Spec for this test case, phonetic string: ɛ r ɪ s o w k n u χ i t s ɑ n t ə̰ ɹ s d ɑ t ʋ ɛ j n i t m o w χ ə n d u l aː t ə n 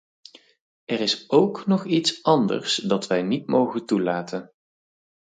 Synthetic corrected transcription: ɛ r ɪ s o w k n ɔ χ i t s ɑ n d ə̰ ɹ s d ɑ t ʋ ɛ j n i t m o w χ ə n t u l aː t ə n